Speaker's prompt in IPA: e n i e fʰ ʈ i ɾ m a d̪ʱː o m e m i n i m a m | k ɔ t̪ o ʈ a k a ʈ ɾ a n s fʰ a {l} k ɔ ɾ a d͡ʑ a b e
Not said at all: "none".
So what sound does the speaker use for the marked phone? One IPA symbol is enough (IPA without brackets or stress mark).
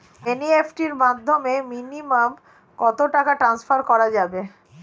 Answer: ɾ